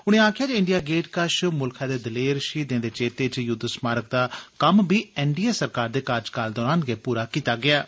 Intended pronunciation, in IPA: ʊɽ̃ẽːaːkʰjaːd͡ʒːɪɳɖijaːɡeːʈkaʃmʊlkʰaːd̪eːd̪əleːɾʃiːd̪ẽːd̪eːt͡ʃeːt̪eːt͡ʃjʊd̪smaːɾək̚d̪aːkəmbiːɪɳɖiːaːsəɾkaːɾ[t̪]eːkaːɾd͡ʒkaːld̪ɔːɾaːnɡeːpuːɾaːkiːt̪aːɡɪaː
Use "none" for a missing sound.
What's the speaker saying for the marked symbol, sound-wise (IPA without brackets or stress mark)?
d̪